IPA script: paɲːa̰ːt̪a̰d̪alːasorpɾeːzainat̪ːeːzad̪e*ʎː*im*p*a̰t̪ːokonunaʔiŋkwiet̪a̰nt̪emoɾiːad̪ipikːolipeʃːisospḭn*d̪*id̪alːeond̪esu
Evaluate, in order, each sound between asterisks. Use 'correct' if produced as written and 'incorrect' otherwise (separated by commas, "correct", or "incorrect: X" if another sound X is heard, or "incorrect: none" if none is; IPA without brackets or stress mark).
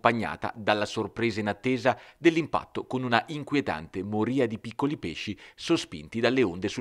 incorrect: lː, correct, incorrect: t̪